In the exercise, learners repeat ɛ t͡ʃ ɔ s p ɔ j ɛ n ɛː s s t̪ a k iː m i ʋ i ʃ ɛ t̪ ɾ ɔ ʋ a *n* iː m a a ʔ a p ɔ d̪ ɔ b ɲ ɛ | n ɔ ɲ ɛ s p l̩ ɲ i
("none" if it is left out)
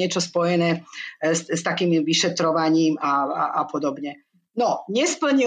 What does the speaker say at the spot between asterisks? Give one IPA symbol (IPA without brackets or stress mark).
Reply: ɲ